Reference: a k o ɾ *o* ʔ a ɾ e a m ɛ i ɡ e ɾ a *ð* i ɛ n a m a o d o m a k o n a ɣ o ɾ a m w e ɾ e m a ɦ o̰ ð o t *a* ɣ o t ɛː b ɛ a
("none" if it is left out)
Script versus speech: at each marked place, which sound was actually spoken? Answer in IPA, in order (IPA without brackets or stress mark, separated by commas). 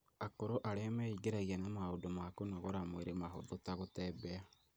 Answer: o, ɣ, a